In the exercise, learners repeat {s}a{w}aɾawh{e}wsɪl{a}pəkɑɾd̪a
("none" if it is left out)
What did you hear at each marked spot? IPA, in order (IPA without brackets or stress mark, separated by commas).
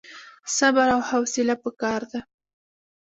s, b, a, a